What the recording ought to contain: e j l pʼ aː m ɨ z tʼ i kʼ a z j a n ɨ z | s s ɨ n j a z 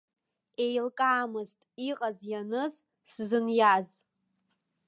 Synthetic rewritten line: e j l kʼ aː m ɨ z tʼ i qʼ a z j a n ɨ z | s z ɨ n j a z